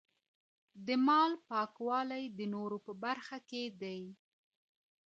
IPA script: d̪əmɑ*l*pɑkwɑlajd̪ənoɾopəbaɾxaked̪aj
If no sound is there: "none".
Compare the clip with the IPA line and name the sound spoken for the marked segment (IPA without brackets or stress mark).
l